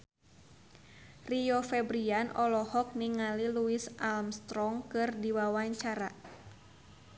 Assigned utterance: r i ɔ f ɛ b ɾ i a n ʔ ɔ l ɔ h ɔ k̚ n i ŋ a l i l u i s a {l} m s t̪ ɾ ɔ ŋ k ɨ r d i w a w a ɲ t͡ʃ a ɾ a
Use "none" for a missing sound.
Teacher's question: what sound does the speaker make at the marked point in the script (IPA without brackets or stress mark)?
l